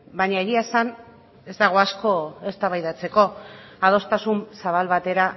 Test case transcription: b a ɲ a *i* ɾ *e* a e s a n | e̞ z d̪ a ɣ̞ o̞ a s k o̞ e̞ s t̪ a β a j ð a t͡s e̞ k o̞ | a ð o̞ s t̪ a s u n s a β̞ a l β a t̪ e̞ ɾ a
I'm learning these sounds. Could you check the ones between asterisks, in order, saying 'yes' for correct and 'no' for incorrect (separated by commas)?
no, no